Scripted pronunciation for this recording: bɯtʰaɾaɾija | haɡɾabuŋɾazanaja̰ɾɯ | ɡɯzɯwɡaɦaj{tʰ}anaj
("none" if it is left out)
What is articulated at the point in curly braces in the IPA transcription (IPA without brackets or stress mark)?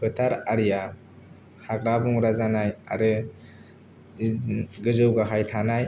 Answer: tʰ